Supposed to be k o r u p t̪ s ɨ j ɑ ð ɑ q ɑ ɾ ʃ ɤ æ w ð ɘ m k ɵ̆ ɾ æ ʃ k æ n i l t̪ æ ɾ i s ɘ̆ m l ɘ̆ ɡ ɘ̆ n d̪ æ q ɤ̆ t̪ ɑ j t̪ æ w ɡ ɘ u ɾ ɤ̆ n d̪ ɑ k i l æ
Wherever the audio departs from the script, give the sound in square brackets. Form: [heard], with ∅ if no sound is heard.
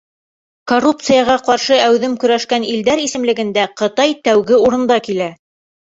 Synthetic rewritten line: k o r u p t̪ s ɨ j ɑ [ʁ] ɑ q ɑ ɾ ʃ ɤ æ w ð ɘ m k ɵ̆ ɾ æ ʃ k æ n i l [d̪] æ ɾ i s ɘ̆ m l ɘ̆ ɡ ɘ̆ n d̪ æ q ɤ̆ t̪ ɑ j t̪ æ w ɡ ɘ u ɾ ɤ̆ n d̪ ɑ k i l æ